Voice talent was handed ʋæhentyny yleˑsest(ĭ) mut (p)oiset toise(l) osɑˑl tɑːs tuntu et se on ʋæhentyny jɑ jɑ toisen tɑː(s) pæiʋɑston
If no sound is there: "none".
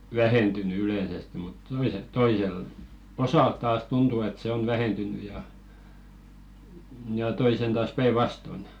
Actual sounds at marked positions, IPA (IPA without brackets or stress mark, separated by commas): ĭ, t, l, s